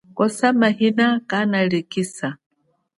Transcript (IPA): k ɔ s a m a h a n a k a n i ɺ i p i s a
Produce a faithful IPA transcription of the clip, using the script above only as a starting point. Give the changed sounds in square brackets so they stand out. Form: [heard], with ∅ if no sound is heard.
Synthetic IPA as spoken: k ɔ s a m a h [i] n a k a n [a] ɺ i [k] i s a